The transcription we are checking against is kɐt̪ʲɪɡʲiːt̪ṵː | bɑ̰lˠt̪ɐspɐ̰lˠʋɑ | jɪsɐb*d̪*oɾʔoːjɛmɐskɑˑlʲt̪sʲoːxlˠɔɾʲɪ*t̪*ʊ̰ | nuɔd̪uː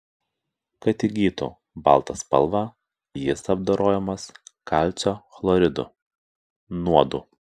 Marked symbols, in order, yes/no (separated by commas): yes, no